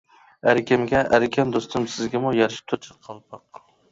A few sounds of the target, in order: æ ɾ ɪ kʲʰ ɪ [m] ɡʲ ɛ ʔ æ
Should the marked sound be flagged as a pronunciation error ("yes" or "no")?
no